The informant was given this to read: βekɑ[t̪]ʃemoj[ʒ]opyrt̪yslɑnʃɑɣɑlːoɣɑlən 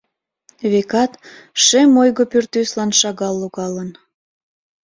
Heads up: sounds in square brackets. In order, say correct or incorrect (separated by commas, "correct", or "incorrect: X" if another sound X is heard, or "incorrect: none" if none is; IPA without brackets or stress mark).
correct, incorrect: ɣ